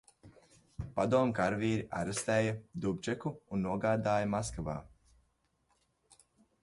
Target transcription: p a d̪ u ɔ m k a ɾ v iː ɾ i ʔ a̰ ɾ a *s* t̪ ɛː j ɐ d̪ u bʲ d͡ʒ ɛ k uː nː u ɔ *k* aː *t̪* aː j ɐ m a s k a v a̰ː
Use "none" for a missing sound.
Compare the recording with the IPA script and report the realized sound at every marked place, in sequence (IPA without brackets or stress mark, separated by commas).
s, ɡ, d̪